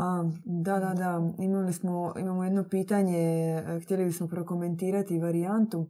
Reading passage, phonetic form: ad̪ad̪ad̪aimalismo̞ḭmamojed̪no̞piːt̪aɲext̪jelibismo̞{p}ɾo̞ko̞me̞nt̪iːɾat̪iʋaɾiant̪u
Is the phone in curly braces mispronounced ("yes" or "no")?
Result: no